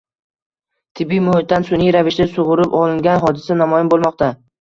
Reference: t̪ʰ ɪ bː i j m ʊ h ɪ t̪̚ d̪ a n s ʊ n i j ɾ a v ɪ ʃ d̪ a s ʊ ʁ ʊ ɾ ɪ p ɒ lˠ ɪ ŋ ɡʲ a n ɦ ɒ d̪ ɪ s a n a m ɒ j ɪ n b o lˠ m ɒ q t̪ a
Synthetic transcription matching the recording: t̪ʰ ɪ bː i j m ʊ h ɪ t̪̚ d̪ a n s ʊ n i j ɾ a v ɪ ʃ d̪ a s ʊ ʁ ʊ ɾ ɪ p ɒ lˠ ɪ ŋ ɡʲ a n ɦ ɒ d̪ ɪ s a n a m ɒ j ɪ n b o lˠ m ɒ q t̪ a

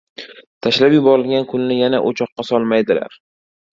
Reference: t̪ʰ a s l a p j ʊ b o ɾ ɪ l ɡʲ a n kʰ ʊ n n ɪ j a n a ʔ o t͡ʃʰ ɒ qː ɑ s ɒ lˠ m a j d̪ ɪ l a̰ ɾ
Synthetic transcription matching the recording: t̪ʰ a ʃ l a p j ʊ b ɒ ɾ ɪ l ɡʲ a n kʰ ʊ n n ɪ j a n a ʔ o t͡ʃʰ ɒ qː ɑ s ɒ lˠ m a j d̪ ɪ l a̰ ɾ

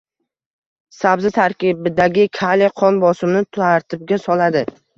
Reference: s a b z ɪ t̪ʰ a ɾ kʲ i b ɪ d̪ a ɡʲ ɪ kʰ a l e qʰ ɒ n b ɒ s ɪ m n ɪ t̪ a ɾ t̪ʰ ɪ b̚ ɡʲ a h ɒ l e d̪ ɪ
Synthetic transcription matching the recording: s a b z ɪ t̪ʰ a ɾ kʲ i b ɪ d̪ a ɡʲ ɪ kʰ a l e qʰ ɒ n b ɒ s ɪ m n ɪ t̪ a ɾ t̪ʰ ɪ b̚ ɡʲ a s ɒ l a d̪ ɪ

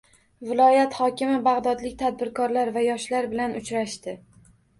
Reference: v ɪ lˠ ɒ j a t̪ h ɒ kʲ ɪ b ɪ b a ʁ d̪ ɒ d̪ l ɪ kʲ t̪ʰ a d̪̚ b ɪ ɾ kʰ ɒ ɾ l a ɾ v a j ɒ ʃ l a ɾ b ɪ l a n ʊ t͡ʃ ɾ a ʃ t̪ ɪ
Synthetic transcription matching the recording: v ɪ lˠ ɒ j a t̪ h ɒ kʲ ɪ m ɪ b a ʁ d̪ ɒ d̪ l ɪ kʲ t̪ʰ a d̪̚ b ɪ ɾ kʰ ɒ ɾ l a ɾ v a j ɒ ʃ l a ɾ b ɪ l a n ʊ t͡ʃ ɾ a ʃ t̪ ɪ

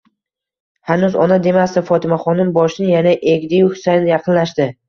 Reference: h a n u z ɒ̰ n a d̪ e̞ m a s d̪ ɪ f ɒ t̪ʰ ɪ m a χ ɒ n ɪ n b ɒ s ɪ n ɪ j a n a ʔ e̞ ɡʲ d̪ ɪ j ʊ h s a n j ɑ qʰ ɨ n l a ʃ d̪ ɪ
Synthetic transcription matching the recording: h a n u z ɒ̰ n a d̪ e̞ m a s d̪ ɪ f ɒ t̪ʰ ɪ m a χ ɒ n ɪ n b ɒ ʃ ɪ n ɪ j a n a ʔ e̞ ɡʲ d̪ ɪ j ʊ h s a n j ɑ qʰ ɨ n l a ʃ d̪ ɪ

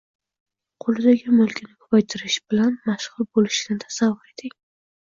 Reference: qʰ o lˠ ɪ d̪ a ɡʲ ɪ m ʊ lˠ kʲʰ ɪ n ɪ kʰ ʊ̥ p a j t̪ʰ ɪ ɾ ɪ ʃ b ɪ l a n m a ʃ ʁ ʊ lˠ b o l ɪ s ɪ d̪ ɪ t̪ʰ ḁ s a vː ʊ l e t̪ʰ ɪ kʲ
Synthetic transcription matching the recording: qʰ o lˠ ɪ d̪ a ɡʲ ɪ m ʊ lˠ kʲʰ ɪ n ɪ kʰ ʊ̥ p a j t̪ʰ ɪ ɾ ɪ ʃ b ɪ l a n m a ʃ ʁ ʊ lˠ b o l ɪ ʃ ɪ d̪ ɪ t̪ʰ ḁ s a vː ʊ ɾ e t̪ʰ ɪ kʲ

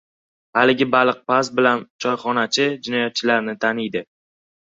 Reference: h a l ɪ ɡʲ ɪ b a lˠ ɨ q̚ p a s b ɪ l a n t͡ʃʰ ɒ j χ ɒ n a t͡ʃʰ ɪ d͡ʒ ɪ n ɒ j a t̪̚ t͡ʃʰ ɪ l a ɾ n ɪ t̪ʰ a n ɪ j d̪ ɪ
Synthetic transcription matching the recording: h a l ɪ ɡʲ ɪ b a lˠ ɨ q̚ p a s b ɪ l a n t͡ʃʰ ɒ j χ ɒ n a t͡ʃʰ ɪ d͡ʒ ɪ n ɒ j a t̪̚ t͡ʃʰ ɪ l a ɾ n ɪ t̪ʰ a n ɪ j d̪ ɪ

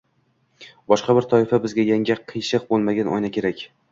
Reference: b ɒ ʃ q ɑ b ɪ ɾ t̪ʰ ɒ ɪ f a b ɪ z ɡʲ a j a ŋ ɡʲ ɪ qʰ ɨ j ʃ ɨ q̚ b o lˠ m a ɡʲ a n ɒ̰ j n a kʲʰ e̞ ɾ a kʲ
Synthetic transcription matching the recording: b ɒ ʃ q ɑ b ɪ ɾ t̪ʰ ɒ ɪ f a b ɪ z ɡʲ a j a ŋ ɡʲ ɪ qʰ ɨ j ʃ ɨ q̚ b o lˠ m a ɡʲ a n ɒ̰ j n a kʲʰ e̞ ɾ a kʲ

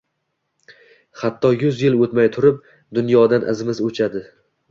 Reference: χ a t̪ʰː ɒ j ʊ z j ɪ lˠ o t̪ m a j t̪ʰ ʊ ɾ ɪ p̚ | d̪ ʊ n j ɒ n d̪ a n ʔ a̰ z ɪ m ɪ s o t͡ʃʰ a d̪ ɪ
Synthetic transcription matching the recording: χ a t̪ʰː ɒ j ʊ z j ɪ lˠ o t̪ m a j t̪ʰ ʊ ɾ ɪ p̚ | d̪ ʊ n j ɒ d̪ a n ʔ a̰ z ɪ m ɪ z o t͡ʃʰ a d̪ ɪ

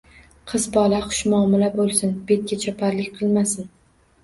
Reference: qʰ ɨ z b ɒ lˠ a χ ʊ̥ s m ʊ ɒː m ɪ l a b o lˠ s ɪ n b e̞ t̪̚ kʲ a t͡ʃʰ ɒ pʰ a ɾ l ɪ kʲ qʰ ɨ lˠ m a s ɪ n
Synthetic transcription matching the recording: qʰ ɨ z b ɒ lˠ a χ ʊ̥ ʃ m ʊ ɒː m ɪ l a b o lˠ s ɪ n b e̞ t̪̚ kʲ a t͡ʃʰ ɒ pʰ a ɾ l ɪ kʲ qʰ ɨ lˠ m a s ɪ n

